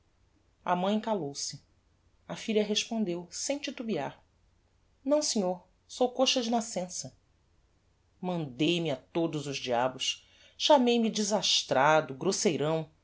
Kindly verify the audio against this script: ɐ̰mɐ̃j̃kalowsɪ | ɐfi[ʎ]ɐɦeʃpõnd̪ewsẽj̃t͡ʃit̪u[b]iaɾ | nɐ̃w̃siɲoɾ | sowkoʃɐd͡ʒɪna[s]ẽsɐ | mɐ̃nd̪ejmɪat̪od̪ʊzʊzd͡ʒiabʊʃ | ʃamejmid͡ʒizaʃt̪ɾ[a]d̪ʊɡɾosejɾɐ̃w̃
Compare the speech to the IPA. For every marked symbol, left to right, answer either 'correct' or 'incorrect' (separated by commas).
correct, correct, correct, correct